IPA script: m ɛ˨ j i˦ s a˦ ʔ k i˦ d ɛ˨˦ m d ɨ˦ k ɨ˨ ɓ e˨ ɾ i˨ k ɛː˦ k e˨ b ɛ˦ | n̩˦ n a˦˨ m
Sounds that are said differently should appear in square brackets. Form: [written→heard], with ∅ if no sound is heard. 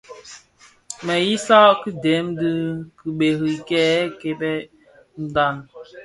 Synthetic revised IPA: m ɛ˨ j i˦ s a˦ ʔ k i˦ d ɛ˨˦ m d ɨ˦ k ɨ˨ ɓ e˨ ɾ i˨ k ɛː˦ k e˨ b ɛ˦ | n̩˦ [n→d] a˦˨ [m→n]